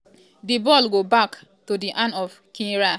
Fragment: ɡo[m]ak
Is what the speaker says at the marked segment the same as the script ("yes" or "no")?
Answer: no